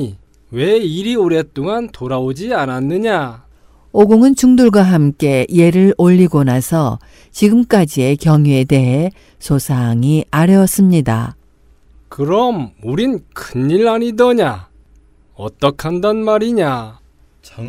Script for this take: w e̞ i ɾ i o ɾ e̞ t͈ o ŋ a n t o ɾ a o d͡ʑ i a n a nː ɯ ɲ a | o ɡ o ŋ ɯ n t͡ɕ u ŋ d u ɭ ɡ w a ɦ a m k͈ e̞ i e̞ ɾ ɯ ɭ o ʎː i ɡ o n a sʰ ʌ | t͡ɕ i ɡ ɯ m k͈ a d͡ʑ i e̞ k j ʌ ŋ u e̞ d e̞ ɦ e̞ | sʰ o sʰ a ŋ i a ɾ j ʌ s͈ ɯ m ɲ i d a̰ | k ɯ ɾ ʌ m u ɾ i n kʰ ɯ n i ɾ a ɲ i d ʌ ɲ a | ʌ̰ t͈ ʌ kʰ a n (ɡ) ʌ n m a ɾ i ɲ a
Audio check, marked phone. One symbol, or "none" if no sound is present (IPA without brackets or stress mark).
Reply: d